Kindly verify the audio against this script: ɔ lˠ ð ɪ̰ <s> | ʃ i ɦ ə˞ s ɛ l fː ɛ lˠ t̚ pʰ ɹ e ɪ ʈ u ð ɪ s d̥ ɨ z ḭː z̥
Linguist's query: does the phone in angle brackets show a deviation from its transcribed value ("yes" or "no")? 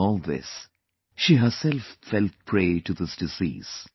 no